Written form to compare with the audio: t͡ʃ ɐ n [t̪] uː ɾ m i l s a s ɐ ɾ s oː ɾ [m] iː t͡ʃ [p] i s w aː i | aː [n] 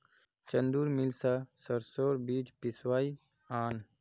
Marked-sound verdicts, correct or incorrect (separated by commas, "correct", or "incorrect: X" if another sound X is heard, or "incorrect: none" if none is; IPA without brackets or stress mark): incorrect: d̪, incorrect: b, correct, correct